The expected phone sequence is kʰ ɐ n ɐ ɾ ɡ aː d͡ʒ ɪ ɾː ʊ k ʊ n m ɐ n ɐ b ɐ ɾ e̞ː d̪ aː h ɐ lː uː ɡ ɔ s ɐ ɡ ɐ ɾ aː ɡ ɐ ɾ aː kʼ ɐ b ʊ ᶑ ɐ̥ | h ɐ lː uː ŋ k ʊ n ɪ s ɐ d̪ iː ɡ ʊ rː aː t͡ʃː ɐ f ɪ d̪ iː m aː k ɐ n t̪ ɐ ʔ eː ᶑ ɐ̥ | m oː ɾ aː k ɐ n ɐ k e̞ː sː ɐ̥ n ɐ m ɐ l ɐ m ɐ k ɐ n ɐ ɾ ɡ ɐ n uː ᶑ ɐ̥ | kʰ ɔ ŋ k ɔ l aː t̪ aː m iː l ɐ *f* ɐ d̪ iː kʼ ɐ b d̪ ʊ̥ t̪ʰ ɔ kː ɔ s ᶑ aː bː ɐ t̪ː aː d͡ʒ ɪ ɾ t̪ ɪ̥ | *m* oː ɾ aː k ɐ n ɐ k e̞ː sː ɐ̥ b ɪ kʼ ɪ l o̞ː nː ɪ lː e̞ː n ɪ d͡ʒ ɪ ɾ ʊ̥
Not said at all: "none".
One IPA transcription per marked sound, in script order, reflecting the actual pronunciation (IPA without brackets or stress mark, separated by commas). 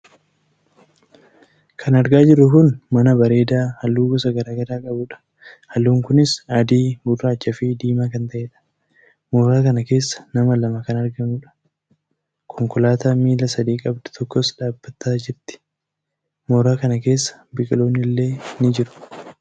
s, m